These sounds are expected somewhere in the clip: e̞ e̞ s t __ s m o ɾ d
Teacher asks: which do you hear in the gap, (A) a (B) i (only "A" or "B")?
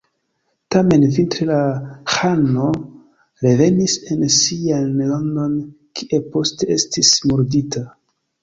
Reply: B